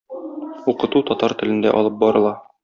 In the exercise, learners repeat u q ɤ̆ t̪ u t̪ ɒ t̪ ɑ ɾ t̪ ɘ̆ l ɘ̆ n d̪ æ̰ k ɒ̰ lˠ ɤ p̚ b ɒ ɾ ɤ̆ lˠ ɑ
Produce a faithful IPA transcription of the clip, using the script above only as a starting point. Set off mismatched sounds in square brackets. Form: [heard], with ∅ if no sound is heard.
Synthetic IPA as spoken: u q ɤ̆ t̪ u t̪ ɒ t̪ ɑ ɾ t̪ ɘ̆ l ɘ̆ n d̪ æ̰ [ʔ] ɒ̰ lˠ ɤ p̚ b ɒ ɾ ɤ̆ lˠ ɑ